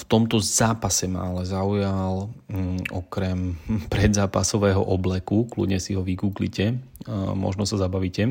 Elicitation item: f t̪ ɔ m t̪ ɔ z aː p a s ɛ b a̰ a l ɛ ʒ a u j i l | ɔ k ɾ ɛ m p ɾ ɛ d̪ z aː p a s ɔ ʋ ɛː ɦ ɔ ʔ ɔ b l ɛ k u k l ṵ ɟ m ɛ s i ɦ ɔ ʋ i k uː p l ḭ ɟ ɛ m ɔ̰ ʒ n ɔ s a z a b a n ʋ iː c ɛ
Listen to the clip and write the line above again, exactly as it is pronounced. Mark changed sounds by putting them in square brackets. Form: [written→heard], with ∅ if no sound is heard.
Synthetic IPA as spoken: f t̪ ɔ m t̪ ɔ z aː p a s ɛ [b→m] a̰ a l ɛ [ʒ→z] a u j [i→a] l | ɔ k ɾ ɛ m p ɾ ɛ d̪ z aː p a s ɔ ʋ ɛː ɦ ɔ ʔ ɔ b l ɛ k u k l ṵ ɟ [m→ɲ] ɛ s i ɦ ɔ ʋ i k uː [p→k] l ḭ [ɟ→c] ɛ m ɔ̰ ʒ n ɔ s a z a b a [n→∅] ʋ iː c ɛ